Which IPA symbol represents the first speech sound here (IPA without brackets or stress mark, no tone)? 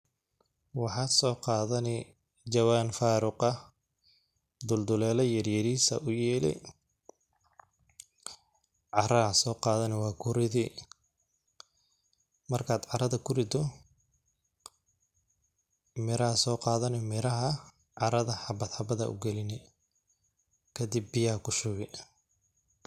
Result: w